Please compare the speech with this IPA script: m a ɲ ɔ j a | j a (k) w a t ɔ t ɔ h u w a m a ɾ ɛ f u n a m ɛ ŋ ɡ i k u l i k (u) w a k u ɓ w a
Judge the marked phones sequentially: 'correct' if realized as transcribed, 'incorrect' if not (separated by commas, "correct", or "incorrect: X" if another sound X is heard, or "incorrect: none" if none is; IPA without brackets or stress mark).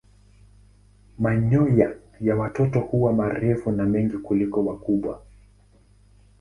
incorrect: none, incorrect: ɔ